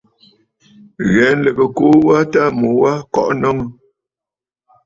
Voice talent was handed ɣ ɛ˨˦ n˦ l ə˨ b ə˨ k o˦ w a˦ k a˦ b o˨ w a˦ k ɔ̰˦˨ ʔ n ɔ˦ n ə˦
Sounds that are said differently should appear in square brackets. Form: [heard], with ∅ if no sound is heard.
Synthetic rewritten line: ɣ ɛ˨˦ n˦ l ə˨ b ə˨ k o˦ w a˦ [t] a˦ [m] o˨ w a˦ k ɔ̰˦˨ ʔ n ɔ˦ [ŋ] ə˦